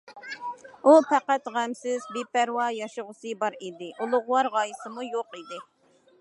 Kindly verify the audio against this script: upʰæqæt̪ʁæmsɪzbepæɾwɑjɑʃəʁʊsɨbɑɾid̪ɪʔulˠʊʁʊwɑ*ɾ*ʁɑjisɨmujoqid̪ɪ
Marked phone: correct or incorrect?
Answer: correct